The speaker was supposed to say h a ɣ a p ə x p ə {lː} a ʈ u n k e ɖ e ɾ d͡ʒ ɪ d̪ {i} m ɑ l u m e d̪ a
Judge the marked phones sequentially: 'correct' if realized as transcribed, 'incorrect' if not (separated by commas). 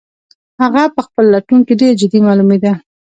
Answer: correct, correct